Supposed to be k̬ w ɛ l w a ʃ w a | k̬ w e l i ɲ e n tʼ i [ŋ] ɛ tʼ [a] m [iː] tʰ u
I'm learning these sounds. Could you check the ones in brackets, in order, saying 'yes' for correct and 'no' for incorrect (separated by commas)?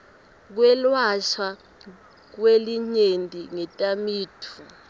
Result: yes, yes, yes